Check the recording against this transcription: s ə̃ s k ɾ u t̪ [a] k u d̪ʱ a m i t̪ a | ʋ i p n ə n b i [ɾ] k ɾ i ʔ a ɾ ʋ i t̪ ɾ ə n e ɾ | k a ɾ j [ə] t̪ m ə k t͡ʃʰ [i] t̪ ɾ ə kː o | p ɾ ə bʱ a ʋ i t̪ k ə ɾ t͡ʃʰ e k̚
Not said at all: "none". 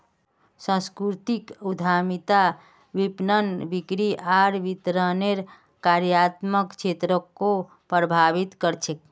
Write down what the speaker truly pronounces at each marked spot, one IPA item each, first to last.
i, none, a, e

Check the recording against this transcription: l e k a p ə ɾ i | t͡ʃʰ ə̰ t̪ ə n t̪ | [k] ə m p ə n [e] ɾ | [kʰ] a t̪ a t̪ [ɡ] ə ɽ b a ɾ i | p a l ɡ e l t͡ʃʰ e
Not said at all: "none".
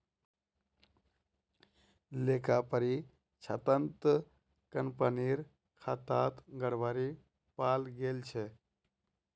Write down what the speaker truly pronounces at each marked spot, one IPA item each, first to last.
k, i, kʰ, ɡ

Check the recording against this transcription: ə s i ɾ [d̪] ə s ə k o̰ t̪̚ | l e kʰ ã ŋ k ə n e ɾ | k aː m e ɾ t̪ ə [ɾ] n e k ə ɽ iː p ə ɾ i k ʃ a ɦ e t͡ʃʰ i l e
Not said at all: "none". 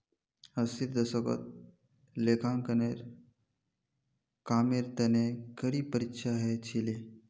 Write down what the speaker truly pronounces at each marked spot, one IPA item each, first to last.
d̪, none

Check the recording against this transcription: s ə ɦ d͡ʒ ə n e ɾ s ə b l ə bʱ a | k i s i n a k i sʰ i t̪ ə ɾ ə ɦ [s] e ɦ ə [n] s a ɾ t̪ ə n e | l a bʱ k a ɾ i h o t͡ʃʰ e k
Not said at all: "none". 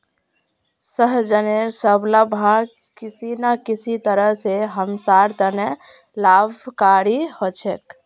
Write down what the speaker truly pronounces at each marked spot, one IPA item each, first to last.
s, m

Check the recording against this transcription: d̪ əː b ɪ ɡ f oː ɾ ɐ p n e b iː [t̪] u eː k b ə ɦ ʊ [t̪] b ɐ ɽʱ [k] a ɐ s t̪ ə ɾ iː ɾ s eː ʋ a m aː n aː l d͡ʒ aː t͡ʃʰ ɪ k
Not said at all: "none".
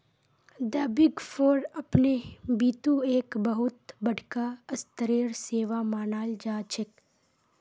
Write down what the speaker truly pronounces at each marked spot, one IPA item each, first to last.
t̪, t̪, k

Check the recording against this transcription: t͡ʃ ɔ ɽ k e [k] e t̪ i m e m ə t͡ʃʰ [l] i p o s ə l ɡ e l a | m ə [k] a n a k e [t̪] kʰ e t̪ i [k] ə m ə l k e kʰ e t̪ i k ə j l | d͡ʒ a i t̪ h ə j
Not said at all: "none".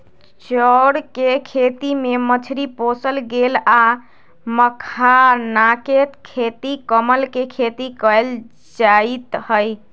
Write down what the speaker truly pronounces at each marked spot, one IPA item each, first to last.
kʰ, ɾ, kʰ, t̪, k

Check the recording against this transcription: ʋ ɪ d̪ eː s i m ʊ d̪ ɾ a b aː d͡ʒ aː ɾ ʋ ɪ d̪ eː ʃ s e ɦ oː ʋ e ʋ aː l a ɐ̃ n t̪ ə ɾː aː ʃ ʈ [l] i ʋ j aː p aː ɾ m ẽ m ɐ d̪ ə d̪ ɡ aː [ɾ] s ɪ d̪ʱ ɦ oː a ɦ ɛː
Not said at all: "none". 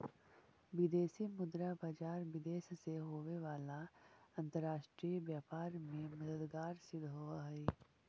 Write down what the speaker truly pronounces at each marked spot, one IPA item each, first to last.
ɾ, ɾ

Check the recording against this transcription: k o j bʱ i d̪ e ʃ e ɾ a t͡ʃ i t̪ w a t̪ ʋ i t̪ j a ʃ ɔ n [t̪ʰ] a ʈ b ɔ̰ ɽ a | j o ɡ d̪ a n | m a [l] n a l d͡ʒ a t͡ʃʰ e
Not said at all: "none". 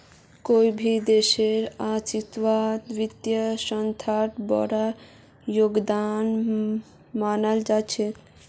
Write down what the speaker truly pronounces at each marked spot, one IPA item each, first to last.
t̪ʰ, none

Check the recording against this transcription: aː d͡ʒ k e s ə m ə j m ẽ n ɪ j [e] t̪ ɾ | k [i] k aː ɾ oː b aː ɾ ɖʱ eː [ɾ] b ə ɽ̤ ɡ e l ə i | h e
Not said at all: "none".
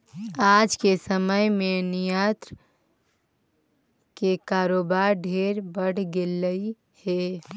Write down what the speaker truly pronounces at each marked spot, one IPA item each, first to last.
a, e, ɾ

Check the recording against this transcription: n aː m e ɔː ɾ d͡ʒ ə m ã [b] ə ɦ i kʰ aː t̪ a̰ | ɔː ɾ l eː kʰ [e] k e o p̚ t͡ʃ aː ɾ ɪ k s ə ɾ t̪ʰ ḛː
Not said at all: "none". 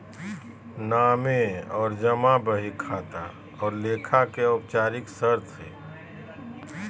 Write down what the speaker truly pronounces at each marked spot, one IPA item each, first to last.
b, a

